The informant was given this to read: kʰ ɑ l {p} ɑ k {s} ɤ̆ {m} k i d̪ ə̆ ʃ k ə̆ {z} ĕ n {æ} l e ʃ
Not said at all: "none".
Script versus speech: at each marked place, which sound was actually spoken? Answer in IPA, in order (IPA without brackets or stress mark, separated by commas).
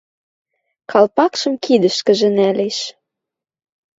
p, ʃ, m, ʒ, æ